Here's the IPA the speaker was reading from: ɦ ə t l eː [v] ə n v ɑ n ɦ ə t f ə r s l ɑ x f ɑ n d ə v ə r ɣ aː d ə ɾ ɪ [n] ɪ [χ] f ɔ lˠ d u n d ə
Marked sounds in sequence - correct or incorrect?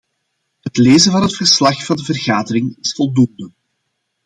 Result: incorrect: z, incorrect: ŋ, incorrect: s

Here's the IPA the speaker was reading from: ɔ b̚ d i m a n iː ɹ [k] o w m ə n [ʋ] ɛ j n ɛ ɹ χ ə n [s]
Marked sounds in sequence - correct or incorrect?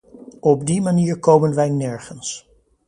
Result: correct, correct, correct

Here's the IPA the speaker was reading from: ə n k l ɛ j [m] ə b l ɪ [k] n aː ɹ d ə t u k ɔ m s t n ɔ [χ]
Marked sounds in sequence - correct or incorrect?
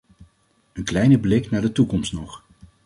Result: incorrect: n, correct, correct

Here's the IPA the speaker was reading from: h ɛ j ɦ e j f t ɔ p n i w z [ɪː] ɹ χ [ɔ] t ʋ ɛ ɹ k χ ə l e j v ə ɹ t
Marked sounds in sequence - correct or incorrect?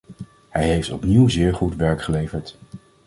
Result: correct, incorrect: u

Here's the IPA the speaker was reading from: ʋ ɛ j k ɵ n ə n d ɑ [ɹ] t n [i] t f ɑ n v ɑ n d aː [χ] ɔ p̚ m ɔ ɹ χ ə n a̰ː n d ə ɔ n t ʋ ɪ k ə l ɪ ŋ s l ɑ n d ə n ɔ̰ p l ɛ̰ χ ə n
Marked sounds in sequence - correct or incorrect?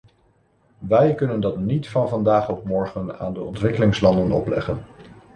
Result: incorrect: none, correct, correct

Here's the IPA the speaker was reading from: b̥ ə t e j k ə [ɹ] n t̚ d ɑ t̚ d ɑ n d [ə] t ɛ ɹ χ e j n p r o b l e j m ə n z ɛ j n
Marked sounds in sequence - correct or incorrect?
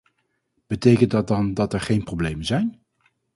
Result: incorrect: none, incorrect: ɑ

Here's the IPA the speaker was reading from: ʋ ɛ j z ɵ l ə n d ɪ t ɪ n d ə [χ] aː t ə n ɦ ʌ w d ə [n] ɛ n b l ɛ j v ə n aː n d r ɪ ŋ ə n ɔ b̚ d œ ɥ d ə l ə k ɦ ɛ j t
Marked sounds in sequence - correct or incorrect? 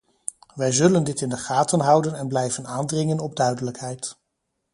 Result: correct, correct

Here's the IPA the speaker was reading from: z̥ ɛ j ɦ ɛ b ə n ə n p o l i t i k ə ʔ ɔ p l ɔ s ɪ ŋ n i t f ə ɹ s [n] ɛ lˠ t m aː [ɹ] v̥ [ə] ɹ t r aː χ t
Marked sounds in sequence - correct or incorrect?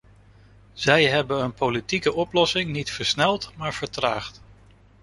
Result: correct, correct, correct

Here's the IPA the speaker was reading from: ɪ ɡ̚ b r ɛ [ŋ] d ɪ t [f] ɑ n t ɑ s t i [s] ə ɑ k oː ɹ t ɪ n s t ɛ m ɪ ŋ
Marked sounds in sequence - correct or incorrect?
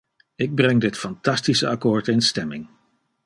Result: correct, correct, correct

